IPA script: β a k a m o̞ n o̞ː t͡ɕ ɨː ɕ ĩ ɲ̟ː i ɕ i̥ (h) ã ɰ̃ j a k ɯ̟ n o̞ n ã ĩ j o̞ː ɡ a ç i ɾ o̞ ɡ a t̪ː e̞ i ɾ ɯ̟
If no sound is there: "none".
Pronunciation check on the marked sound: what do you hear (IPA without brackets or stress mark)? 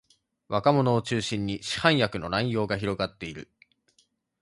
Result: h